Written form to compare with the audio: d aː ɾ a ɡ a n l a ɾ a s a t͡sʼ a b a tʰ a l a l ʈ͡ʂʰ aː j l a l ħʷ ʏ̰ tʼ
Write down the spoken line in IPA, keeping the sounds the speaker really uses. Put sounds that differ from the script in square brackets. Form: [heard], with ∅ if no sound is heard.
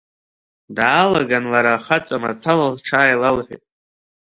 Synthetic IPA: d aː [l] a ɡ a n l a ɾ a [χ] a t͡sʼ a [m] a tʰ a l a l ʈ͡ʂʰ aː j l a l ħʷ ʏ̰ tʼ